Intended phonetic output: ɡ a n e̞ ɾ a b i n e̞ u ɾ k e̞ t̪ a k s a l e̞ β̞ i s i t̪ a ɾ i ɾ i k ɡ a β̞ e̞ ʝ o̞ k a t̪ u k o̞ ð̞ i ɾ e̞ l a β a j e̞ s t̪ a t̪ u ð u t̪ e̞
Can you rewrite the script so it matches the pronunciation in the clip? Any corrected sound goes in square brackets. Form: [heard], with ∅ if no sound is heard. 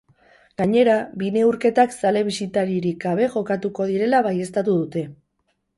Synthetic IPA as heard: ɡ a [ɲ] e̞ ɾ a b i n e̞ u ɾ k e̞ t̪ a k s a l e̞ β̞ i s i t̪ a ɾ i ɾ i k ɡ a β̞ e̞ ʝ o̞ k a t̪ u k o̞ ð̞ i ɾ e̞ l a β a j e̞ s t̪ a t̪ u ð u t̪ e̞